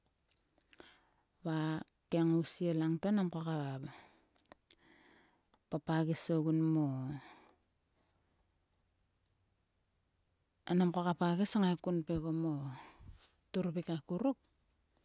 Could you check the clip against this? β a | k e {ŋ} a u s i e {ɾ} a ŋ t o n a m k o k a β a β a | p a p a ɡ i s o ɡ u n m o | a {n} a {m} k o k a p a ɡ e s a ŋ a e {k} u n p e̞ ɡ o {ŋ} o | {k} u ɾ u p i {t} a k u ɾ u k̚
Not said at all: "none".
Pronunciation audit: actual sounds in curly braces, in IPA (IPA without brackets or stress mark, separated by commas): ŋ, l, n, m, k, m, t, k